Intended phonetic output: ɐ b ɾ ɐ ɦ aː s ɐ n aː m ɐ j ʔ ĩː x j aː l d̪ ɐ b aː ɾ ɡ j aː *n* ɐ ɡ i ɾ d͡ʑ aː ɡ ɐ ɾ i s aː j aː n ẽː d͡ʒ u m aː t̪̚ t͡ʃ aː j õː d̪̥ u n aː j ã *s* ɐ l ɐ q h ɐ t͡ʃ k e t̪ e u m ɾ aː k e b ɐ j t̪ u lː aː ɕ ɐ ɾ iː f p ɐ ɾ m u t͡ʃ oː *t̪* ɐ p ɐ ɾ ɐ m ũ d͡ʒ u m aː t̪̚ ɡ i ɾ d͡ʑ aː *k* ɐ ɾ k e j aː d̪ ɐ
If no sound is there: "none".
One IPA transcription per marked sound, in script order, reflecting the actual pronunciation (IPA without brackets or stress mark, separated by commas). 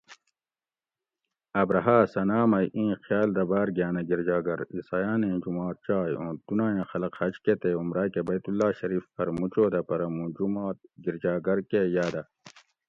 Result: n, x, d̪, ɡ